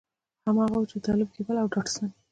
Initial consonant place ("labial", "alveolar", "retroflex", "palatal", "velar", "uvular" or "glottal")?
glottal